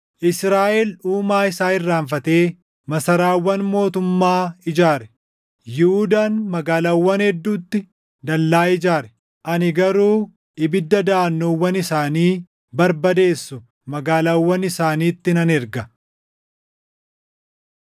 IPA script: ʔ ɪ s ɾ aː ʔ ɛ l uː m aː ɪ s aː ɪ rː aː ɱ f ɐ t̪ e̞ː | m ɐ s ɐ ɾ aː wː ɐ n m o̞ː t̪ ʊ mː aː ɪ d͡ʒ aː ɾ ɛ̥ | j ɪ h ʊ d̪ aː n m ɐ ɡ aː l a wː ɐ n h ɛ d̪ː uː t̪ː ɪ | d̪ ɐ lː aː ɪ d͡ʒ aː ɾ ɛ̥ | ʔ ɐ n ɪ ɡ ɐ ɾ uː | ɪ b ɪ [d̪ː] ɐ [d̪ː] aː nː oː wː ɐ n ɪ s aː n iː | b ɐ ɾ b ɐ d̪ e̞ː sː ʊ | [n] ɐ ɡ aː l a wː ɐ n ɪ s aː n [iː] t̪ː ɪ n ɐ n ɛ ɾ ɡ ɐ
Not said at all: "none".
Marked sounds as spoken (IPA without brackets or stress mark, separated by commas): d̪ː, d̪, m, iː